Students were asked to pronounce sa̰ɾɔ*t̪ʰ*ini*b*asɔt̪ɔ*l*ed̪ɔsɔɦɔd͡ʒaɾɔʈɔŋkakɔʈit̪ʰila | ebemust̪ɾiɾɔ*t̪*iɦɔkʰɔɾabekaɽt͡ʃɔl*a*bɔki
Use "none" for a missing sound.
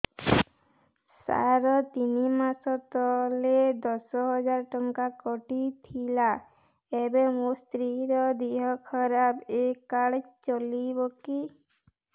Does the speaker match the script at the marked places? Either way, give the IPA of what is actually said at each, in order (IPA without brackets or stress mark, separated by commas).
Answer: t̪, m, l, d̪, i